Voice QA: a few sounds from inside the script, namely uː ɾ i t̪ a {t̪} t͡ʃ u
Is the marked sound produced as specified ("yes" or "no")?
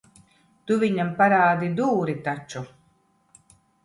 no